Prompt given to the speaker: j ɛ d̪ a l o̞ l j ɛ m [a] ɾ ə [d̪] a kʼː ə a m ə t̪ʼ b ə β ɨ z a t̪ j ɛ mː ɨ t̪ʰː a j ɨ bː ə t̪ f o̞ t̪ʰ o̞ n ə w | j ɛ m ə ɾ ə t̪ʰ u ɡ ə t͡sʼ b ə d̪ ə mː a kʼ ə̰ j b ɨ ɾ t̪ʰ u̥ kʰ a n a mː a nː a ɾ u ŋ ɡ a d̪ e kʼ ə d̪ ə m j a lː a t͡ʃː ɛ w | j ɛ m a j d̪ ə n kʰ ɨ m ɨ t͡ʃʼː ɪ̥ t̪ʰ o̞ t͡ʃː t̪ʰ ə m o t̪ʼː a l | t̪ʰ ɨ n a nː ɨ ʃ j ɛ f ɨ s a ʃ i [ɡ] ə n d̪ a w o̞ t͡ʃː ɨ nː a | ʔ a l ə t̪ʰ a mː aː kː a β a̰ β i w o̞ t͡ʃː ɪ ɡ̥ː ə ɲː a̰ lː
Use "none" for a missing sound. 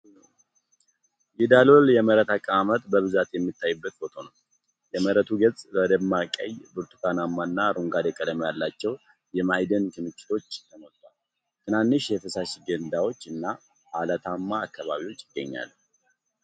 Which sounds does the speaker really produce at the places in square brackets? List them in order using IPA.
ə, t̪, ɡ

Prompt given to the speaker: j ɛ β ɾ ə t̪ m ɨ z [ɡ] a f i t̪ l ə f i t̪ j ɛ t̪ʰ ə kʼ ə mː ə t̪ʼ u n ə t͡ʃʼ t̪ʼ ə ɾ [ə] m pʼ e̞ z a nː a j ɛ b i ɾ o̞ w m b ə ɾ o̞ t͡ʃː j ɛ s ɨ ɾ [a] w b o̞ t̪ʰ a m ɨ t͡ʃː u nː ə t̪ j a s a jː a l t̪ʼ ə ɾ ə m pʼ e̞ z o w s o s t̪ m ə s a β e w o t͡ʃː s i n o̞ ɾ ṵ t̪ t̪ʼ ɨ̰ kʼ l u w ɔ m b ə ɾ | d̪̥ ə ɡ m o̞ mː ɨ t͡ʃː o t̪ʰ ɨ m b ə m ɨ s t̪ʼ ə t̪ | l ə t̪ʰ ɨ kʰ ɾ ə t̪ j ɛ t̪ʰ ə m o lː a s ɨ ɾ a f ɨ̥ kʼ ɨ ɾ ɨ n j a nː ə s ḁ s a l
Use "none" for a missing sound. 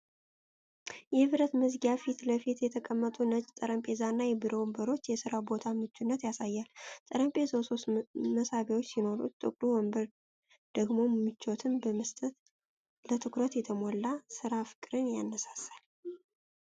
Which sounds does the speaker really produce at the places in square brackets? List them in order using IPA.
ɡ, ə, a

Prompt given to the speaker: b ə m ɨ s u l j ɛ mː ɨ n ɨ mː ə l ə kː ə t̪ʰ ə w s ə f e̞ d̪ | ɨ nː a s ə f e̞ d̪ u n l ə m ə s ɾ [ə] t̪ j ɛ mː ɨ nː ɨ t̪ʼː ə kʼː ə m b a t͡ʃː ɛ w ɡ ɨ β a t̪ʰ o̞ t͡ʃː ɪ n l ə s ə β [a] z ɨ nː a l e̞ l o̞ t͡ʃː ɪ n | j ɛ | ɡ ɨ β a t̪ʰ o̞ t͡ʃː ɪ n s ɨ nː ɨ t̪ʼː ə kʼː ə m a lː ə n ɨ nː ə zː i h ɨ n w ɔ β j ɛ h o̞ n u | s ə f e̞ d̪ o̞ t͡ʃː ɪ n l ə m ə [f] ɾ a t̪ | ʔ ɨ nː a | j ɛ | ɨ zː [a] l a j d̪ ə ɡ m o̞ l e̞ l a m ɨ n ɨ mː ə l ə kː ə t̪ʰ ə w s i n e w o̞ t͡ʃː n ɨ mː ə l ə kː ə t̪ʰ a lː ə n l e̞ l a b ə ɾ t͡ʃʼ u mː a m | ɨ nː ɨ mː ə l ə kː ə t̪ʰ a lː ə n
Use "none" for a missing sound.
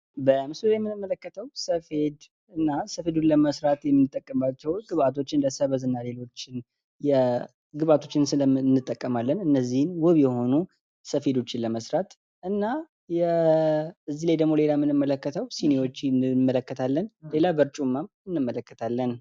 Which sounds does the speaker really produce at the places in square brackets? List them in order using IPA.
a, ə, s, i

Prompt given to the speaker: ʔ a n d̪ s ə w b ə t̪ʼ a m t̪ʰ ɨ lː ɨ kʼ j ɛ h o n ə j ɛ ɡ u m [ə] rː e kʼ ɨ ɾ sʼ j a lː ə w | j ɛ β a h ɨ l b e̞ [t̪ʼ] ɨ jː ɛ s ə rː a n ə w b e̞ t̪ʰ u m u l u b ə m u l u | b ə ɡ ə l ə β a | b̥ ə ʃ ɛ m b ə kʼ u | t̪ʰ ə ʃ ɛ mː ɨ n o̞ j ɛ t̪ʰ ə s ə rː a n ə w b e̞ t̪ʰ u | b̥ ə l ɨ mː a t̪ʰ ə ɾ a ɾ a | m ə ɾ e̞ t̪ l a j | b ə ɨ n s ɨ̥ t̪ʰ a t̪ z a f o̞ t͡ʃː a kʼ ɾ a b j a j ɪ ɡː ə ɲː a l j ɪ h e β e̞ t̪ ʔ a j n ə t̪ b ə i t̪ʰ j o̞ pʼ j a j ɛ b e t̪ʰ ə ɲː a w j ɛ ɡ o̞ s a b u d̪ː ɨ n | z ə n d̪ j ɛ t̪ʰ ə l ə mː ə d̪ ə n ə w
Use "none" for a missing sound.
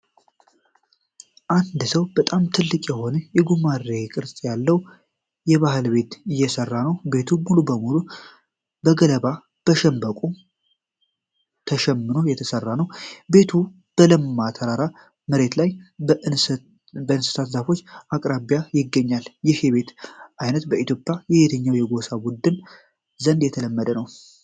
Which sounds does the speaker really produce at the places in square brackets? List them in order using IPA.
a, t̪

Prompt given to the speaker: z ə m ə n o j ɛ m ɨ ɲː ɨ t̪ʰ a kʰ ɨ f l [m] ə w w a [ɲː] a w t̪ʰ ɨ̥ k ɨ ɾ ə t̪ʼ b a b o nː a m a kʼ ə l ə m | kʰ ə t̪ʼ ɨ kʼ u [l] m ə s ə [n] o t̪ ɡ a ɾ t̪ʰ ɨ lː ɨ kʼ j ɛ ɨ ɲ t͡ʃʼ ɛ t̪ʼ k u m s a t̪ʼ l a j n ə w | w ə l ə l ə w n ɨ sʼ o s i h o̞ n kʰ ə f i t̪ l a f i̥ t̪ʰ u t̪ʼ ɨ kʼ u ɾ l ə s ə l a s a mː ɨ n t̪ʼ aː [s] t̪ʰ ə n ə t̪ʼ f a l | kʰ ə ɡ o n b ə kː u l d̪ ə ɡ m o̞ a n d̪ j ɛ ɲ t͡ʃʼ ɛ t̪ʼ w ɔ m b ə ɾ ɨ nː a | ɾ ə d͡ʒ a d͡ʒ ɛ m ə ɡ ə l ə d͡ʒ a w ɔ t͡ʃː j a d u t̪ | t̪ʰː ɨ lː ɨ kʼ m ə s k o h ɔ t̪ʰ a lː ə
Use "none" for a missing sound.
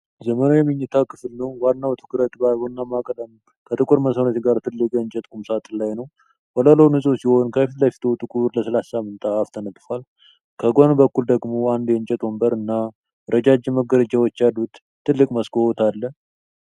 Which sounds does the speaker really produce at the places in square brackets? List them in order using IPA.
n, nː, ɾ, n, f

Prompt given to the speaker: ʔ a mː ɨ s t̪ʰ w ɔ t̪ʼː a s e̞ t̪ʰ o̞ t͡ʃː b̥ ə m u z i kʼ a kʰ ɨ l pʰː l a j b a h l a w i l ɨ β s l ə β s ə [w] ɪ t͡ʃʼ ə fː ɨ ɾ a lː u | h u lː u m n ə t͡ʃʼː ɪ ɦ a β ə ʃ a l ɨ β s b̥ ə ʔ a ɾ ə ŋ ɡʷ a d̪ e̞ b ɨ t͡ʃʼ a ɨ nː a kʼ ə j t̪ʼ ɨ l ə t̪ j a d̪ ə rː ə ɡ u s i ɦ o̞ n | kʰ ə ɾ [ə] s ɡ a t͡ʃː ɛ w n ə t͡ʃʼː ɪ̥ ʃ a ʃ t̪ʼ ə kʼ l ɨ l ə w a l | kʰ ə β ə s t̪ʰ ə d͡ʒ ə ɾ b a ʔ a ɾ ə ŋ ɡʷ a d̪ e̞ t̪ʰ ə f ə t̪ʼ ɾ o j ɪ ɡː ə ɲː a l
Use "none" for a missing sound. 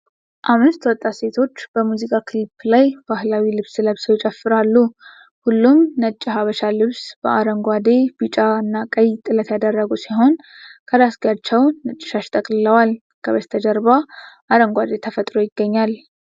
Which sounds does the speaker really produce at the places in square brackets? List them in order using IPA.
w, a

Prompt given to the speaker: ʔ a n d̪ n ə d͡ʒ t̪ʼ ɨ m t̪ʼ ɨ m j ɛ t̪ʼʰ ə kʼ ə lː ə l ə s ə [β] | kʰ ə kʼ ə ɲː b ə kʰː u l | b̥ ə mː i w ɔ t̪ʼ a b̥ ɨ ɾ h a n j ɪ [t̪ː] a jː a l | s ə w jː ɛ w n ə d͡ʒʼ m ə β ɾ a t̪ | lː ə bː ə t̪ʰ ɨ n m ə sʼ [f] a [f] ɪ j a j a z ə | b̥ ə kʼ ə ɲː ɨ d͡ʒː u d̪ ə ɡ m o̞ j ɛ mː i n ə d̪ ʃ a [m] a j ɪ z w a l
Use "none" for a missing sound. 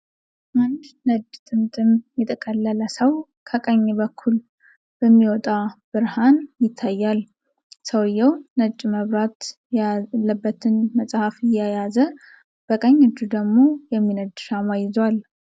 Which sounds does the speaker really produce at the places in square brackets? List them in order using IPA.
w, t̪ʰː, h, f, m

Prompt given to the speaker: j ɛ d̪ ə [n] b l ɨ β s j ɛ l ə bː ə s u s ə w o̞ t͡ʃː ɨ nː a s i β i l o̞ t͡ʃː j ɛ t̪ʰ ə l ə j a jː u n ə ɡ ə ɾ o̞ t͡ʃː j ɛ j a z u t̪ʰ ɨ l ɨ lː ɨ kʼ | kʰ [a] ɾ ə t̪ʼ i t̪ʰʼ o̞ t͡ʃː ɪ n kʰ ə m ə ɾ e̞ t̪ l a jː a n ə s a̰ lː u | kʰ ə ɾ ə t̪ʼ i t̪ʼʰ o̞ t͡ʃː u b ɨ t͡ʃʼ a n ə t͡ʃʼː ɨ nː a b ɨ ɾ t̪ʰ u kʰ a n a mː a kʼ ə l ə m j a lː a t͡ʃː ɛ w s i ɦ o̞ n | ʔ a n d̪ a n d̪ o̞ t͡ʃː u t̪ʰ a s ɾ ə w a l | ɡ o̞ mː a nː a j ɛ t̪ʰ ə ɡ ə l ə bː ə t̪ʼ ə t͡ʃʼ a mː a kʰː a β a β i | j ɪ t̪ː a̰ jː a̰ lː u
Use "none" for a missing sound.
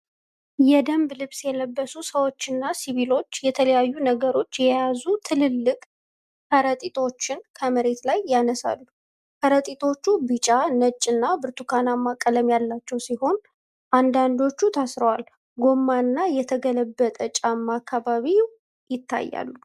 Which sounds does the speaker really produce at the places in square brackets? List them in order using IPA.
m, ə

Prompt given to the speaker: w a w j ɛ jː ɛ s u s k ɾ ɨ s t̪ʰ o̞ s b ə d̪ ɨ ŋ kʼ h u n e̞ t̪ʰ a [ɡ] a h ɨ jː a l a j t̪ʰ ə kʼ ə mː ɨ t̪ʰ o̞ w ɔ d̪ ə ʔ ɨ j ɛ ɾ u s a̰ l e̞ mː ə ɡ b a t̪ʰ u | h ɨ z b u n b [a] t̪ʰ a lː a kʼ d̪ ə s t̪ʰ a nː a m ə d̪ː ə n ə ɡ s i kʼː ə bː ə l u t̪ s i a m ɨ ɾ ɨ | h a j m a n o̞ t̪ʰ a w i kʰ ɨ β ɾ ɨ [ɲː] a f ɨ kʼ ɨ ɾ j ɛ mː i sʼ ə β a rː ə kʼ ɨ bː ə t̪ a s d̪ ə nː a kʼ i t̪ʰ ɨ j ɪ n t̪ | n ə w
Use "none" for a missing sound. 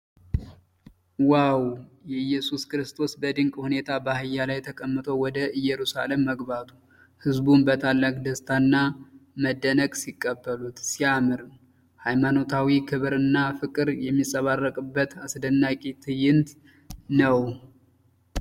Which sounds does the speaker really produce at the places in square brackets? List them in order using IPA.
b, ə, nː

